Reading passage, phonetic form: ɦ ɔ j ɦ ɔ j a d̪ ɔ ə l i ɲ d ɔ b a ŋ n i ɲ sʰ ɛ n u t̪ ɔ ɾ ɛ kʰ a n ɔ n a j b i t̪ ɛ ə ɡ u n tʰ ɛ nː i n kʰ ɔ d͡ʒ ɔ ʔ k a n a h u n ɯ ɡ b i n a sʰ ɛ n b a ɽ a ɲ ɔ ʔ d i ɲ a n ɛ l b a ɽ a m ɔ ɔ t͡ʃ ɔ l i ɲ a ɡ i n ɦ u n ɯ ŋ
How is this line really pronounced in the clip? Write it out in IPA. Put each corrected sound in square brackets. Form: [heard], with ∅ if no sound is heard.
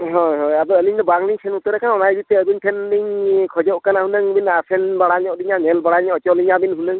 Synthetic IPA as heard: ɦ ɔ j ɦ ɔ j a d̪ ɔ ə l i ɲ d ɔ b a ŋ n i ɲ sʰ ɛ n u t̪ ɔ ɾ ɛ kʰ a n ɔ n a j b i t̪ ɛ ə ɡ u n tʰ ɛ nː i [ɲ] kʰ ɔ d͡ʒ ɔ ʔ k a n a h u n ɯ [ŋ] b i n a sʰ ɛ n b a ɽ a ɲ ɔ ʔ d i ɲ a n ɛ l b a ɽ a [ɲ] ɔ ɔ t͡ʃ ɔ l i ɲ a [b] i n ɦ u n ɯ ŋ